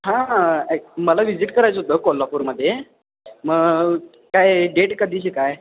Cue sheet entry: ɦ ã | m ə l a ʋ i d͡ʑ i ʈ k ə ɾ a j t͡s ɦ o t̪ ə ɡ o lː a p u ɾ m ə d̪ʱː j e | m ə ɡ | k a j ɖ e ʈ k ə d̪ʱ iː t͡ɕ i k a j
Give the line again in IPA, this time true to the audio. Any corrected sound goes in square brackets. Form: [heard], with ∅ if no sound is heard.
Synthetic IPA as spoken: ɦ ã | m ə l a ʋ i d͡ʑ i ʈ k ə ɾ a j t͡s ɦ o t̪ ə [k] o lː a p u ɾ m ə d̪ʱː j e | m ə ɡ | k a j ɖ e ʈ k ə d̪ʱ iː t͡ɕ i k a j